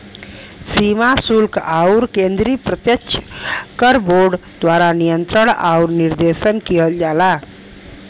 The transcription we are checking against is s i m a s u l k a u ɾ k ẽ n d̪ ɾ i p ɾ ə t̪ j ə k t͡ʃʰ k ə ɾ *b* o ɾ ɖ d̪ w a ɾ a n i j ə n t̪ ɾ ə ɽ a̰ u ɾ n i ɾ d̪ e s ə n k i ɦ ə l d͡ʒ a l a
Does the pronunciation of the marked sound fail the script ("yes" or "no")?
no